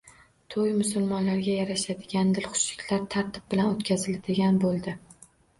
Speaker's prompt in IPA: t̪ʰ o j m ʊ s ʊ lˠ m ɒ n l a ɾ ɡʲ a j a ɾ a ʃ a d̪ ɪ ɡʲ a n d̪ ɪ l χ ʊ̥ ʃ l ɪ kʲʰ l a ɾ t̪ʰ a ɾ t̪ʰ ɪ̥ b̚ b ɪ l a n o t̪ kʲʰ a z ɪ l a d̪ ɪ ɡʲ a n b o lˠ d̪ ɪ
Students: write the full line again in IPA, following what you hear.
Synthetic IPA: t̪ʰ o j m ʊ s ʊ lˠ m ɒ n l a ɾ ɡʲ a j a ɾ a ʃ a d̪ ɪ ɡʲ a n d̪ ɪ l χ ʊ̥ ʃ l ɪ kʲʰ l a ɾ t̪ʰ a ɾ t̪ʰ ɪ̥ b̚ b ɪ l a n o t̪ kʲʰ a z ɪ l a d̪ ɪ ɡʲ a n b o lˠ d̪ ɪ